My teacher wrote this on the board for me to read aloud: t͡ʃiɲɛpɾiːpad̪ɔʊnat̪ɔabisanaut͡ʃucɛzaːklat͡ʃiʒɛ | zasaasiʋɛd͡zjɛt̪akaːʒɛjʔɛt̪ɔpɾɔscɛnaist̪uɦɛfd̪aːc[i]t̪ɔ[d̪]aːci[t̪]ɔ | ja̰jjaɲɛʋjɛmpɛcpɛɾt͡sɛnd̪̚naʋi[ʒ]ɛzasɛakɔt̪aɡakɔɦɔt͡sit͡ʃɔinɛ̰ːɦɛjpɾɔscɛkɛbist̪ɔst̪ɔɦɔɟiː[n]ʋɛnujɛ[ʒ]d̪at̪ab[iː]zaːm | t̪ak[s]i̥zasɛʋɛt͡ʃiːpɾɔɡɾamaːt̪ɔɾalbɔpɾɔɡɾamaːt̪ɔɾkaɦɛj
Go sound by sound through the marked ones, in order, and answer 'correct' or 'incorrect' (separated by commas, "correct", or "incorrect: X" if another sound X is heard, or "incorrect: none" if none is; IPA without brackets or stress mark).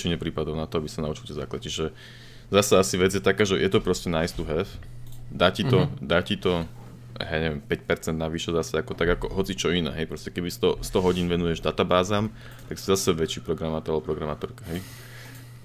correct, correct, correct, incorrect: ʃ, correct, correct, incorrect: aː, correct